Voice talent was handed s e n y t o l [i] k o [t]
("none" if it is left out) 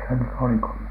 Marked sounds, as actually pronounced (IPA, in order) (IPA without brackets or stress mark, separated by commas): i, none